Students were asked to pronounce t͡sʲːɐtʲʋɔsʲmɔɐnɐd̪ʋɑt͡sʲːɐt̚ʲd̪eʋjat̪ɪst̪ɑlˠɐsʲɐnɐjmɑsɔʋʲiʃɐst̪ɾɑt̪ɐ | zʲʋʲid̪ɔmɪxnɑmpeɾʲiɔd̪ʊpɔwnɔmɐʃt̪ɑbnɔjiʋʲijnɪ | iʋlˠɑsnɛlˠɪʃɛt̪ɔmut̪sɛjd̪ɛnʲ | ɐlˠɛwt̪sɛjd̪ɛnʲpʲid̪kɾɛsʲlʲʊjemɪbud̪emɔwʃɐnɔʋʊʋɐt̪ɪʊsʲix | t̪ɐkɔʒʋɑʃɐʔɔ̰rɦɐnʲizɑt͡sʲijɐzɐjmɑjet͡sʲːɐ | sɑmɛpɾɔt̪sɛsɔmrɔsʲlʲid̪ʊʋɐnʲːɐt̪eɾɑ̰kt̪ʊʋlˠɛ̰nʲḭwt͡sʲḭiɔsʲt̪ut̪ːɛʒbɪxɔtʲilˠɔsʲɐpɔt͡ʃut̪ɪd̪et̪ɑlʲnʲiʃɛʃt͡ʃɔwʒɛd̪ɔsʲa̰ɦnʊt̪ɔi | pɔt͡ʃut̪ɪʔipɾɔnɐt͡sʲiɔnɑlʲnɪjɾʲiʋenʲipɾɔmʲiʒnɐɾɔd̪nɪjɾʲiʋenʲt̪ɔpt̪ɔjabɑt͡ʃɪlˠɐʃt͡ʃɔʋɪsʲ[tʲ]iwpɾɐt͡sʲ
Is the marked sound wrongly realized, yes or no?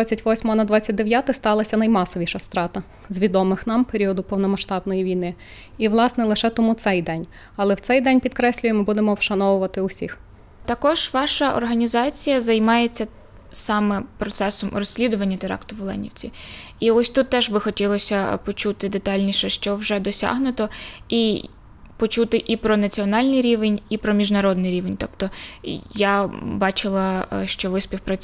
yes